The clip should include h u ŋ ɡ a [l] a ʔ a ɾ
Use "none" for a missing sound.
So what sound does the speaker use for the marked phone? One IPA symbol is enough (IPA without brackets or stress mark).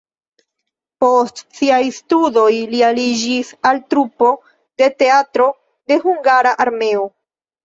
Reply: ɾ